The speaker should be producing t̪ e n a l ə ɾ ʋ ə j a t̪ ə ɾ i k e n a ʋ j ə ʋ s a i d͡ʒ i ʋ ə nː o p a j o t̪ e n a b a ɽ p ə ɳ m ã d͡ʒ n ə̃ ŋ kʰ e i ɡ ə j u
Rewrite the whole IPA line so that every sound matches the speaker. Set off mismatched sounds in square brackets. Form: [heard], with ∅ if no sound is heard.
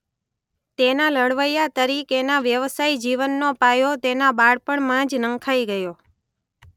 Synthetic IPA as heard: t̪ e n a l ə [ɽ] ʋ ə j a t̪ ə ɾ i k e n a ʋ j ə ʋ s a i d͡ʒ i ʋ ə nː o p a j o t̪ e n a b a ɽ p ə ɳ m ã d͡ʒ n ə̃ ŋ kʰ [a] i ɡ ə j [o]